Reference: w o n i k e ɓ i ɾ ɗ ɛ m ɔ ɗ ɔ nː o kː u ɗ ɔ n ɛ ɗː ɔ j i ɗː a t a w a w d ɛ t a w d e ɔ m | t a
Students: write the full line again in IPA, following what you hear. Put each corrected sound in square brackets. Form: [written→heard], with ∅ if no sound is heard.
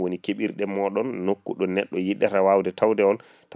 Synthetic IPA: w o n i k e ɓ i ɾ ɗ ɛ m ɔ ɗ ɔ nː o kː u ɗ ɔ n ɛ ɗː ɔ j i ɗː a t a w a w d ɛ t a w d [e→ɛ] ɔ [m→n] | t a